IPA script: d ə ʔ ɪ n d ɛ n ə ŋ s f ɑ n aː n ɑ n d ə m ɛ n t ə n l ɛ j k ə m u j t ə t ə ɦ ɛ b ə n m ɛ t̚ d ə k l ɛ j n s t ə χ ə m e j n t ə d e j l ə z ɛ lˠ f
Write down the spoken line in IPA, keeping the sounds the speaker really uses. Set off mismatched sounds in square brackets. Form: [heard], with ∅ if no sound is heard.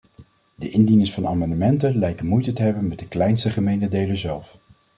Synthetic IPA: d ə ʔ ɪ n d [i] n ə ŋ s f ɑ n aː [m] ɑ n d ə m ɛ n t ə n l ɛ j k ə m u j t ə t ə ɦ ɛ b ə n m ɛ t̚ d ə k l ɛ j n s t ə χ ə m e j n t ə d e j l ə z ɛ lˠ f